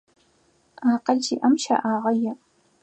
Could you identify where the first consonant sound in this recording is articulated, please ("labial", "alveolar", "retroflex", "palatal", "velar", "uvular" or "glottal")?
uvular